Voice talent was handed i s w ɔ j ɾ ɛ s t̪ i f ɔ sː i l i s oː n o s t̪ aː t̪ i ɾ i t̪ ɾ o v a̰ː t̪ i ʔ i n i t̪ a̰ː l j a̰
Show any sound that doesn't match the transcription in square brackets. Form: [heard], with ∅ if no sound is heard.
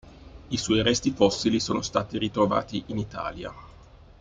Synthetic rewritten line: i s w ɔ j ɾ ɛ s t̪ i f ɔ sː i l i s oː n o s t̪ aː t̪ i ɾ i t̪ ɾ o v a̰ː t̪ i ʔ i n i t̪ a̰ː l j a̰

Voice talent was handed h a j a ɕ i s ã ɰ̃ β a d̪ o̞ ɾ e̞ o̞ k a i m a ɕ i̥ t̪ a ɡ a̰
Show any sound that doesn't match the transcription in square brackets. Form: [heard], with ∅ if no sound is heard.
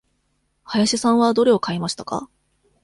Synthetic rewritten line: h a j a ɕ i s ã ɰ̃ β a d̪ o̞ ɾ e̞ o̞ k a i m a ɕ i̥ t̪ a [k] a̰

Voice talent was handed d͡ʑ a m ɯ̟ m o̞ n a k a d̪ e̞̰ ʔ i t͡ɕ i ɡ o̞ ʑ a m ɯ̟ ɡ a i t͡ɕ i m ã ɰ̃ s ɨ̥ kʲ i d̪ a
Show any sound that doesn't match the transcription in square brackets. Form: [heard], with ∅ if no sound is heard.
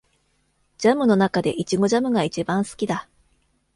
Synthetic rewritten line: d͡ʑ a m ɯ̟ [n] o̞ n a k a d̪ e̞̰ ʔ i t͡ɕ i ɡ o̞ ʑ a m ɯ̟ ɡ a i t͡ɕ i [b] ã ɰ̃ s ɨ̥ kʲ i d̪ a

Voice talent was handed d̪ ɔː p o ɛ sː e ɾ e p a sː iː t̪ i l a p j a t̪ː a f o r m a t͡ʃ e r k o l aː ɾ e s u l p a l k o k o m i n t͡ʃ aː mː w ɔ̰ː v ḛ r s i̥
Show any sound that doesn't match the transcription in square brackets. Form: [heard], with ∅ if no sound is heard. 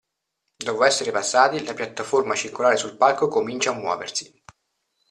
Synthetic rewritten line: d̪ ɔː p o ɛ sː e ɾ e p a sː [aː] t̪ i l a p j a t̪ː a f o r m a t͡ʃ [i] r k o l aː ɾ e s u l p a l k o k o m i n t͡ʃ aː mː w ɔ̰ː v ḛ r s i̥

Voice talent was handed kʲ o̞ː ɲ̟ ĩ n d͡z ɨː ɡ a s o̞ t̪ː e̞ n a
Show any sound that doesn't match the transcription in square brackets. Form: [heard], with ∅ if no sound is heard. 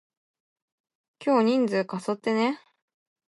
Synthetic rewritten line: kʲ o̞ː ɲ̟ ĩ n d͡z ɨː [k] a s o̞ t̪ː e̞ n [e]

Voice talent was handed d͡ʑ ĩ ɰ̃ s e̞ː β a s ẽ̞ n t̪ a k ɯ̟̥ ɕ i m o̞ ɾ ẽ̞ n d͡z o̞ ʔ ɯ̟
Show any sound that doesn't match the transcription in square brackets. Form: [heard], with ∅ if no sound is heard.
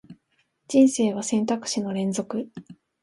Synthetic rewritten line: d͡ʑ ĩ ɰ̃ s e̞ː β a s ẽ̞ n t̪ a k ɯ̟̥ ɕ i [n] o̞ ɾ ẽ̞ n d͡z o̞ [k] ɯ̟

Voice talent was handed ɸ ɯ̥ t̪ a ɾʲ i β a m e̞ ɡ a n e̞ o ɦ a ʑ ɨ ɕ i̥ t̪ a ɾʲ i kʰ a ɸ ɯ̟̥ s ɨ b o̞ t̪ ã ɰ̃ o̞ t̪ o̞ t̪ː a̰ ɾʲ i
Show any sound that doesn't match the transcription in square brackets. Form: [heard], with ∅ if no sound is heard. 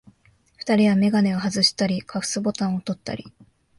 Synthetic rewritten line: ɸ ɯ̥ t̪ a ɾʲ i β a m e̞ ɡ a n e̞ o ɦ a [z] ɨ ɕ i̥ t̪ a ɾʲ i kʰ a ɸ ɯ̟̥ s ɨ b o̞ t̪ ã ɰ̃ o̞ t̪ o̞ t̪ː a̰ ɾʲ i

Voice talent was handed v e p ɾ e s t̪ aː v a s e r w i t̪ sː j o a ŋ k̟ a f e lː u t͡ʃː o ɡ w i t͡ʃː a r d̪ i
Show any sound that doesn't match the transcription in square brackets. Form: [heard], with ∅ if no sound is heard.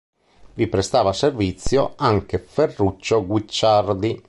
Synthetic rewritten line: v [i] p ɾ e s t̪ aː v a s e r [v] i t̪ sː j o a ŋ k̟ [e] f e [rː] u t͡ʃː o ɡ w i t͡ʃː a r d̪ i

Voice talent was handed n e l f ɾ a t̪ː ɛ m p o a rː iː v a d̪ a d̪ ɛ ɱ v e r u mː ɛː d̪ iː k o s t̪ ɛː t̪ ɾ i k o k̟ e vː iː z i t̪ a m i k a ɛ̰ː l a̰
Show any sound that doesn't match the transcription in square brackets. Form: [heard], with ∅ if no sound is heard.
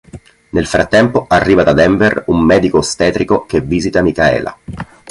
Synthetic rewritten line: n e l f ɾ a t̪ː ɛ m p o a rː iː v a d̪ a d̪ ɛ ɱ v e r u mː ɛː d̪ [i] k o s t̪ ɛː t̪ ɾ i k o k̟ e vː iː z i t̪ a m i k a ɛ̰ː l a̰

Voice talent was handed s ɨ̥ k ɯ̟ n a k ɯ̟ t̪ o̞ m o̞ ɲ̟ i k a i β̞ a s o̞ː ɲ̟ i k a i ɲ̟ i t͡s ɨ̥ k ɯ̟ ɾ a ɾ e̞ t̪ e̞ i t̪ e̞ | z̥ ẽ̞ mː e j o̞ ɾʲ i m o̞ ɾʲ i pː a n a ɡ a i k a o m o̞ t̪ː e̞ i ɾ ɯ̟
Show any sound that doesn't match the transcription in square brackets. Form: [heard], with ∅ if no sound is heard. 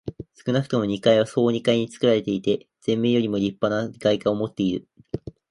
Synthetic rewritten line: s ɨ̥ k ɯ̟ n a k ɯ̟ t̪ o̞ m o̞ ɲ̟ i k a i β̞ a s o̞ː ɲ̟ i k a i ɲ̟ i t͡s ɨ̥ k ɯ̟ ɾ a ɾ e̞ t̪ e̞ i t̪ e̞ | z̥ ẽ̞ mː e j o̞ ɾʲ i m o̞ ɾʲ i pː a n a ɡ a i k a o m o̞ t̪ː e̞ i ɾ ɯ̟

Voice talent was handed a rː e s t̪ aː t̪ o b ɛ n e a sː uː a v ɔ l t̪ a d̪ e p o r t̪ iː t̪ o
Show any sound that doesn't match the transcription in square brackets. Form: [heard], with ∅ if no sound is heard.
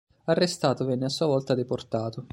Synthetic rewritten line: a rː e s t̪ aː t̪ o [v] ɛ [nː] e a sː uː a v ɔ l t̪ a d̪ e p o r t̪ [aː] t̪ o

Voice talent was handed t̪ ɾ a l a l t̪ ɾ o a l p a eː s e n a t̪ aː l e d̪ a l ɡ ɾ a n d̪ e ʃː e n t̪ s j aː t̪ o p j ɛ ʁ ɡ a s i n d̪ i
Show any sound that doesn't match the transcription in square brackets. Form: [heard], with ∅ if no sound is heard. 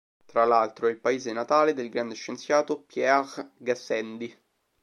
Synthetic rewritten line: t̪ ɾ a l a l t̪ ɾ o [i] l p a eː [z] e n a t̪ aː l e d̪ [e] l ɡ ɾ a n d̪ e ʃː e n t̪ s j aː t̪ o p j ɛ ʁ ɡ a s [ɛ] n d̪ i

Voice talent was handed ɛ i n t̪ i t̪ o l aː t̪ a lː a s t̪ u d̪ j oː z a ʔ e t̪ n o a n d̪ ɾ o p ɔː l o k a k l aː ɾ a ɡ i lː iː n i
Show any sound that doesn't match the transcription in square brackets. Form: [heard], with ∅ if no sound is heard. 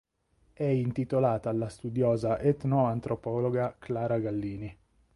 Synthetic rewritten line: ɛ i n t̪ i t̪ o l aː t̪ a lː a s t̪ u d̪ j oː z a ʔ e t̪ n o a n [t̪] ɾ o p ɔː l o [ɡ] a k l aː ɾ a ɡ [a] lː iː n i

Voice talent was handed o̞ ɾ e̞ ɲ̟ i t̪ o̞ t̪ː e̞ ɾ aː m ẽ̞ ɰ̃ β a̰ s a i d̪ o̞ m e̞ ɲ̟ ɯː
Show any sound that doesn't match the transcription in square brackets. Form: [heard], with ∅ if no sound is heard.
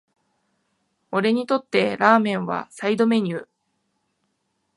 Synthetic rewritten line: o̞ ɾ e̞ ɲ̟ i t̪ o̞ t̪ː e̞ ɾ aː m ẽ̞ ɰ̃ β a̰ s a i d̪ o̞ m e̞ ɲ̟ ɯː

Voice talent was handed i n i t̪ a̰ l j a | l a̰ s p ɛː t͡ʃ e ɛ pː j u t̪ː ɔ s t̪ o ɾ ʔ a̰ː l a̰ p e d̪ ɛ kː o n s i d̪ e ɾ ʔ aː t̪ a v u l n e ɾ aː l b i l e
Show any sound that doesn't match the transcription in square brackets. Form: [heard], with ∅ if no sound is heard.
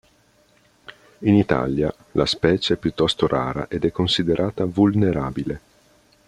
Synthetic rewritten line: i n i t̪ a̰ l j a | l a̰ s p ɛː t͡ʃ e ɛ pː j u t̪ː ɔ s t̪ o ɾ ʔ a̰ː [ɾ] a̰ [ʔ] e d̪ ɛ kː o n s i d̪ e ɾ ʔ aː t̪ a v u l n e ɾ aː [∅] b i l e

